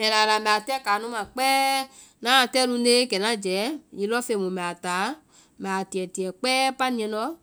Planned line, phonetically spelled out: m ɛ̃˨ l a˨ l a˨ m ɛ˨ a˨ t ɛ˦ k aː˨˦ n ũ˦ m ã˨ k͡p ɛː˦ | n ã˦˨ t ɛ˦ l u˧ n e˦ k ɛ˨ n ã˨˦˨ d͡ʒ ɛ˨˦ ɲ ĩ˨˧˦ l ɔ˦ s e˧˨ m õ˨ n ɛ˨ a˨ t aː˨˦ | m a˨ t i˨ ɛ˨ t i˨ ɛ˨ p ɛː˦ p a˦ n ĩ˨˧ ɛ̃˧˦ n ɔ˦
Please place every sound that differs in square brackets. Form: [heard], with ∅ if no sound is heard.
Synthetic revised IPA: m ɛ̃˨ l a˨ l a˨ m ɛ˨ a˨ t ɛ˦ k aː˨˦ n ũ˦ m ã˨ k͡p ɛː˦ | n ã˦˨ t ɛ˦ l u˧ n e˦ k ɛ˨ n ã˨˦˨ d͡ʒ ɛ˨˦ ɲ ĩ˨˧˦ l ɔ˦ [f] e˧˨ m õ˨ [m] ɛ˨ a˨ t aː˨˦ | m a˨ t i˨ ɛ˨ t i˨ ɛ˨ [k͡p] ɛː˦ p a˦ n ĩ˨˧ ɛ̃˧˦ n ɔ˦